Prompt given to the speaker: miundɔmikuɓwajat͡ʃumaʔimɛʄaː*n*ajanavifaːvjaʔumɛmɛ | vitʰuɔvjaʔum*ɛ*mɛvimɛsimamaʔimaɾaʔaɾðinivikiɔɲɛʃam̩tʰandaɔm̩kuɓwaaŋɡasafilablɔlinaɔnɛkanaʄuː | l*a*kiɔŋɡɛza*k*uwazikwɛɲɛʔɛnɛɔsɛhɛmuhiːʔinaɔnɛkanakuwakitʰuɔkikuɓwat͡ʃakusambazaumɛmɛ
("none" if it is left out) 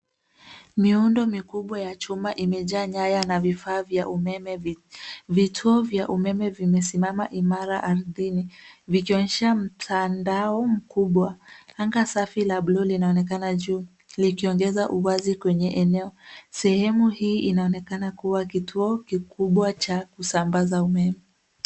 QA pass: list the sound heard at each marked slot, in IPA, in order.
ɲ, ɛ, i, ʔ

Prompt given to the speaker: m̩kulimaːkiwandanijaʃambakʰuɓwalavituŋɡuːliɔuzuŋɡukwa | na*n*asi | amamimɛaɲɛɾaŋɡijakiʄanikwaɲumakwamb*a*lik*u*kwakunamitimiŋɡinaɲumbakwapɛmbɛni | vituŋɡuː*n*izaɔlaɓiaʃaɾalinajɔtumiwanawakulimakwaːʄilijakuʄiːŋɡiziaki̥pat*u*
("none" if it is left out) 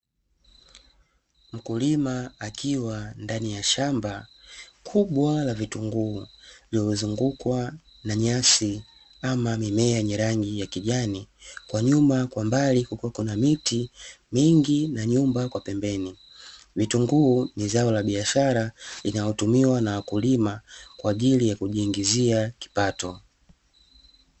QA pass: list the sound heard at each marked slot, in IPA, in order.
ɲ, a, u, n, ɔ

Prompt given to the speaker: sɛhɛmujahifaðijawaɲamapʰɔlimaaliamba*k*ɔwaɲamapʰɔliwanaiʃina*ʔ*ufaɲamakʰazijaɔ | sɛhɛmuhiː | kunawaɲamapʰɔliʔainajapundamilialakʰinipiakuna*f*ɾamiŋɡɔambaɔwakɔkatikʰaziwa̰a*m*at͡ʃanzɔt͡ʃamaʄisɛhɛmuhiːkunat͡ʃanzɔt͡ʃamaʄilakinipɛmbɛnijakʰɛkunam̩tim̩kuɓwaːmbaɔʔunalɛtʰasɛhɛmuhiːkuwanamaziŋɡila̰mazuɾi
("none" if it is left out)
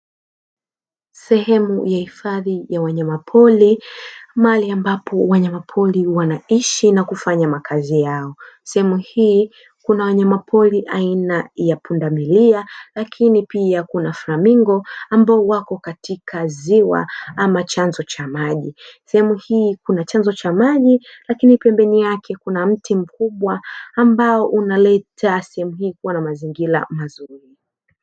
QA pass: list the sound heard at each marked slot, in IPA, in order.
p, k, f, m

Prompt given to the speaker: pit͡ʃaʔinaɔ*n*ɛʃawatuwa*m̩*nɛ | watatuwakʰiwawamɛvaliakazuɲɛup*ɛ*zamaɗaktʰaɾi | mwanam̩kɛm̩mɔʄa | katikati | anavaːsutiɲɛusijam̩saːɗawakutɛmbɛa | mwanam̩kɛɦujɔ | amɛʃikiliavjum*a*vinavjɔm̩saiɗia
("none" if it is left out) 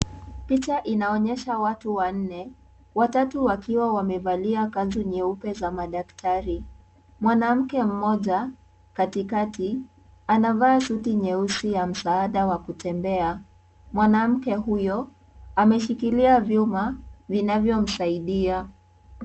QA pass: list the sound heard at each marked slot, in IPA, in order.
ɲ, n̩, ɛ, a

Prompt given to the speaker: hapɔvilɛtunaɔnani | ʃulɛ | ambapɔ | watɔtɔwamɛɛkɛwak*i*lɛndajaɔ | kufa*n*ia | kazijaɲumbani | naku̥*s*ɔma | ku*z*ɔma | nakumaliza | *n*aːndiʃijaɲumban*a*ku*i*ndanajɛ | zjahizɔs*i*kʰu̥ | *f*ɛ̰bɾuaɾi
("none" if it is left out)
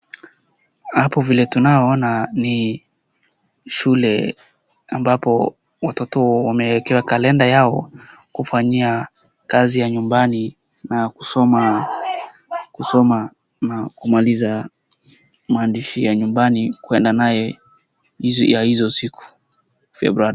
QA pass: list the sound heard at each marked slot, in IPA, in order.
a, ɲ, s, s, m, i, ɛ, i, f

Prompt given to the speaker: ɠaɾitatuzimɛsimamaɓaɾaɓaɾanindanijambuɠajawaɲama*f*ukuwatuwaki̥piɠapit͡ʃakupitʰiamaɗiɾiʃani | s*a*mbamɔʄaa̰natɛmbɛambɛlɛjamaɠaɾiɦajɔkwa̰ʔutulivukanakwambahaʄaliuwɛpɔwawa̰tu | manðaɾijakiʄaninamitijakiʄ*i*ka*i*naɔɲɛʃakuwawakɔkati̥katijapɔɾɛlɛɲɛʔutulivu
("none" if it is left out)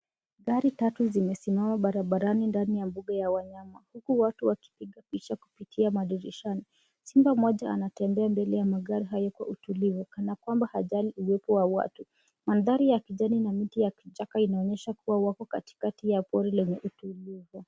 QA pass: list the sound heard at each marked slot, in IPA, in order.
h, i, a, i

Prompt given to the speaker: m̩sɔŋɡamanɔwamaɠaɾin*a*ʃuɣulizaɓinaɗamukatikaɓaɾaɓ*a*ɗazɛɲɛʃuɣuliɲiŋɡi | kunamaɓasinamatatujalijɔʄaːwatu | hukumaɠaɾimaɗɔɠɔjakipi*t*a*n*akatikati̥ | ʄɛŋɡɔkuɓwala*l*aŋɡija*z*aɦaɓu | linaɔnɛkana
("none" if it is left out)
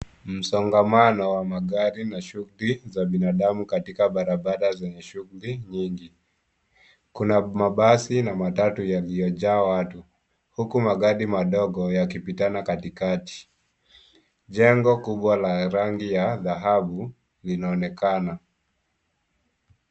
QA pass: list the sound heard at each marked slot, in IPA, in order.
a, a, t, n, ɾ, ð

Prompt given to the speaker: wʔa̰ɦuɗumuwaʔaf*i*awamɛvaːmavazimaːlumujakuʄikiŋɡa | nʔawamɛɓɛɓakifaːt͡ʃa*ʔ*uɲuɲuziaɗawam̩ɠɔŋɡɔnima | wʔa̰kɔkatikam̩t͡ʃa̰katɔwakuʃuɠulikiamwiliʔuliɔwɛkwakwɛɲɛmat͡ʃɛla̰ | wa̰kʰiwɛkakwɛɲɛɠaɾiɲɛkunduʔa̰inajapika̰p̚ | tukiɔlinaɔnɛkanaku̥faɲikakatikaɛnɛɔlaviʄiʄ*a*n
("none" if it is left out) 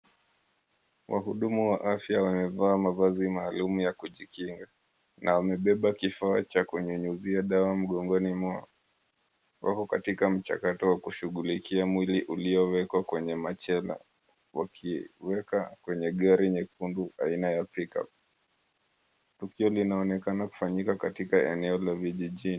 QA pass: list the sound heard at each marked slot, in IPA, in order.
j, k, i

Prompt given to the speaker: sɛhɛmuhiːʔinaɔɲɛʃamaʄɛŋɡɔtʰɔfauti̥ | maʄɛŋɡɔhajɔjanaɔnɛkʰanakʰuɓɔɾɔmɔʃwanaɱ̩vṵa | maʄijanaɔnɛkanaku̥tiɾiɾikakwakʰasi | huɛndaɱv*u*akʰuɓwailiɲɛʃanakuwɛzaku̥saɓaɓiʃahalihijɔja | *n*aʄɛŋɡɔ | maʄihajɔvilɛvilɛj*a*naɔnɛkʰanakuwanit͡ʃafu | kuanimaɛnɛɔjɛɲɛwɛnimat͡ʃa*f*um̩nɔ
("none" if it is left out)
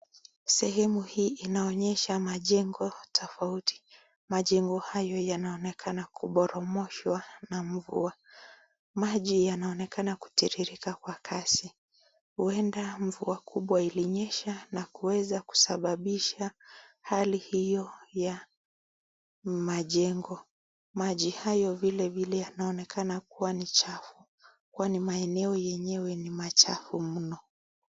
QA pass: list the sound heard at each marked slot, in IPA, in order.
u, m, a, f

